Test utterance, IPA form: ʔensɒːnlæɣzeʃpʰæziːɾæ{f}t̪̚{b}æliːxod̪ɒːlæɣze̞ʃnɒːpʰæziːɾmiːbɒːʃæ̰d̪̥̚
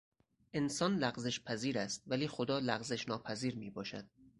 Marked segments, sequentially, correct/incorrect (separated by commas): incorrect, incorrect